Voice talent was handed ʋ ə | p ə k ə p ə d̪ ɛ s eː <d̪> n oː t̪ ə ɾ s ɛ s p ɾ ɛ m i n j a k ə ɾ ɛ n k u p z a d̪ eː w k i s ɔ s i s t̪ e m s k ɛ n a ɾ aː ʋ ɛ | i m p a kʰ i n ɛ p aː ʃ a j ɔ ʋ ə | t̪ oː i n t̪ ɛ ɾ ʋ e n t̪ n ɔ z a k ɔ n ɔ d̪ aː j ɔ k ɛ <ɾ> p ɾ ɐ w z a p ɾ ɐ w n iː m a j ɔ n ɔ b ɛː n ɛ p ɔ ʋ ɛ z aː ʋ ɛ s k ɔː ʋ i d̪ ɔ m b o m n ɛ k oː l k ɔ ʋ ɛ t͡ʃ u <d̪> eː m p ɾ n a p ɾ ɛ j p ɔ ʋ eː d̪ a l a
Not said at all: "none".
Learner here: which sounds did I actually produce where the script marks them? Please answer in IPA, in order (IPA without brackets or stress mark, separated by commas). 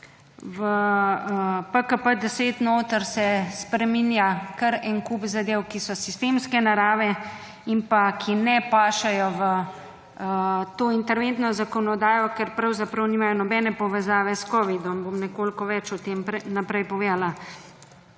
t̪, ɾ, t̪